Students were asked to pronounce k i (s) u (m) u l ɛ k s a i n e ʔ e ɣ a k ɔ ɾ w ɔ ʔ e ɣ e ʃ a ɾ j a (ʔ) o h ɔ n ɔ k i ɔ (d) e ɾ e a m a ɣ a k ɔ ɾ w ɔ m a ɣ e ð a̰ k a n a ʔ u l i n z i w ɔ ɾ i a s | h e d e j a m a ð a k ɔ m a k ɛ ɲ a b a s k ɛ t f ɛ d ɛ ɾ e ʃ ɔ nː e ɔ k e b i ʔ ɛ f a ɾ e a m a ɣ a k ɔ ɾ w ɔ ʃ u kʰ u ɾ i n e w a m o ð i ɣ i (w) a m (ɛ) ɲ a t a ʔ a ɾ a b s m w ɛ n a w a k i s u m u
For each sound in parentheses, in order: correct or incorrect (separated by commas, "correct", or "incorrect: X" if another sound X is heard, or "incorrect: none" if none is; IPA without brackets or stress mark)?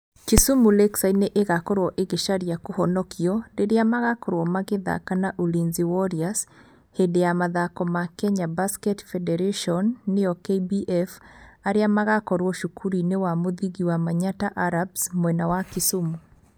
correct, correct, incorrect: k, correct, correct, incorrect: a